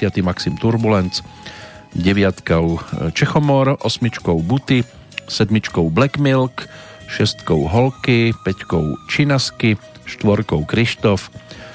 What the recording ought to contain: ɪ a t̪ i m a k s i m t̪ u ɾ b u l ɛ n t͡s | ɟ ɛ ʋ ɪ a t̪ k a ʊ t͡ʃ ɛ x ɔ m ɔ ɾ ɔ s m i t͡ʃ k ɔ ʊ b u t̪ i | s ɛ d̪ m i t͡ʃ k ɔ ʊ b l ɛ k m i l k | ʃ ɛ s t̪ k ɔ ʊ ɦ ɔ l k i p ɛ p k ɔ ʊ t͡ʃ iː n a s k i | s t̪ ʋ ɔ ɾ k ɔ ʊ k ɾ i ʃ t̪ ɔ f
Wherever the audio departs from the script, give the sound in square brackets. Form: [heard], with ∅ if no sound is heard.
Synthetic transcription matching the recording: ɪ a t̪ i m a k s i m t̪ u ɾ b u l ɛ n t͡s | ɟ ɛ ʋ ɪ a t̪ k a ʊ t͡ʃ ɛ x ɔ m ɔ ɾ ɔ s m i t͡ʃ k ɔ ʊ b u t̪ i | s ɛ d̪ m i t͡ʃ k ɔ ʊ b l ɛ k m i l k | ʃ ɛ s t̪ k ɔ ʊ ɦ ɔ l k i p ɛ [c] k ɔ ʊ t͡ʃ [i] n a s k i | [ʃ] t̪ ʋ ɔ ɾ k ɔ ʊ k ɾ i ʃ t̪ ɔ f